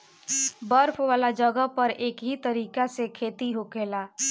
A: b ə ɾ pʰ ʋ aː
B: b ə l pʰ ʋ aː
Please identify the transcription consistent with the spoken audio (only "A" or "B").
A